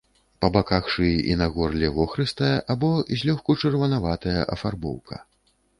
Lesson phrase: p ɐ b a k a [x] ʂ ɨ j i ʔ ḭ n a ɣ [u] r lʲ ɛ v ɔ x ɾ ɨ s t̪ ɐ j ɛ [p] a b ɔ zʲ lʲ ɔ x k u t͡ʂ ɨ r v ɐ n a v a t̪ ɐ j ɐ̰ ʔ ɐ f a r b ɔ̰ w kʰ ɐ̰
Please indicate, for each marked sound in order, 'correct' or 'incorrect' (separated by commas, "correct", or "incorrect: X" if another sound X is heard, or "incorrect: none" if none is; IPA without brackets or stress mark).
correct, incorrect: ɔ, incorrect: ʔ